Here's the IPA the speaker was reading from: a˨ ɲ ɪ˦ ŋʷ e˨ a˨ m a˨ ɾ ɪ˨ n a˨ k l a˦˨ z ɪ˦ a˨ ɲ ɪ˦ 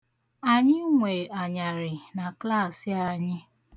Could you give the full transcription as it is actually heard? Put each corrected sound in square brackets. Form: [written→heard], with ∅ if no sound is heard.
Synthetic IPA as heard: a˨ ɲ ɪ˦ ŋʷ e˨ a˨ [m→ɲ] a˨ ɾ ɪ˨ n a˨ k l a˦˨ [z→s] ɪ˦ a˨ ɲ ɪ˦